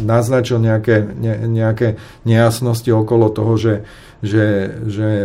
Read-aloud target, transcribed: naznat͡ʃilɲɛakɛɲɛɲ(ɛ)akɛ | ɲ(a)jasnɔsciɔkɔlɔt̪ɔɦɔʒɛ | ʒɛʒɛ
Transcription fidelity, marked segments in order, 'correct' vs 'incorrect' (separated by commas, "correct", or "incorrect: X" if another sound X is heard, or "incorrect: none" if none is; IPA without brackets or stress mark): correct, incorrect: ɛ